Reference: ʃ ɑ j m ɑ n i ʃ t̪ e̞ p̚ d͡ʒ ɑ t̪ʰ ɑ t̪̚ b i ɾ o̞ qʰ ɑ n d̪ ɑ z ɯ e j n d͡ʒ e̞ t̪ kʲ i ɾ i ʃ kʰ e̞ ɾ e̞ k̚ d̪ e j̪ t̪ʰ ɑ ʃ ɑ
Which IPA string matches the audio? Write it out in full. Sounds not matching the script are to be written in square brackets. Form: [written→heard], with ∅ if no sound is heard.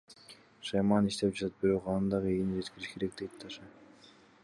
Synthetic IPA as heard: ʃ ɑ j m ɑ n i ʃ t̪ e̞ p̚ d͡ʒ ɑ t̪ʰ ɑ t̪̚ b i ɾ o̞ [qʰ→q] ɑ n d̪ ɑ [z→ʁ] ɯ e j n d͡ʒ e̞ t̪ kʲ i ɾ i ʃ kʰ e̞ ɾ e̞ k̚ d̪ e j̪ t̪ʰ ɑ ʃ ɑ